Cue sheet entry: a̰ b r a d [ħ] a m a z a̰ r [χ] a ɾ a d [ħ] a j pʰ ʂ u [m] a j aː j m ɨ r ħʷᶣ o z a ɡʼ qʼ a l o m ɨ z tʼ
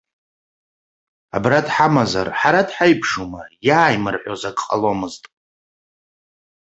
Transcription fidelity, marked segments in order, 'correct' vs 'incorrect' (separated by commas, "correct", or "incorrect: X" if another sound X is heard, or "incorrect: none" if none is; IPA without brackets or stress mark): correct, incorrect: ħ, correct, correct